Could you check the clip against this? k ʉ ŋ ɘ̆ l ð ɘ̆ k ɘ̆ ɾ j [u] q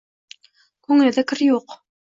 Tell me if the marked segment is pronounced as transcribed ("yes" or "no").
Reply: yes